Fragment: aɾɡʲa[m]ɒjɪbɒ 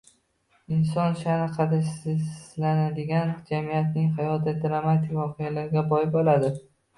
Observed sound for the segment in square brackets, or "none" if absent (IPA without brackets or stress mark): b